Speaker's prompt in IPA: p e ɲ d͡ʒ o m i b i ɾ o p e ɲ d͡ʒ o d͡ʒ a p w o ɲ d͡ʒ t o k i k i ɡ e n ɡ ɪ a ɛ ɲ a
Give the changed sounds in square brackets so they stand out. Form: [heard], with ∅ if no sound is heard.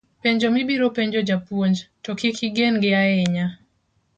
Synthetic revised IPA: p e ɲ d͡ʒ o m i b i ɾ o p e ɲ d͡ʒ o d͡ʒ a p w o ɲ d͡ʒ t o k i k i ɡ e n ɡ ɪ a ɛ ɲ a